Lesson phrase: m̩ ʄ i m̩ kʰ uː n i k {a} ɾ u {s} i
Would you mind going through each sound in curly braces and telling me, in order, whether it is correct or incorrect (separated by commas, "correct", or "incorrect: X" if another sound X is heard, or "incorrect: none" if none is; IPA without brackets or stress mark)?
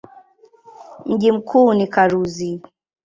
correct, incorrect: z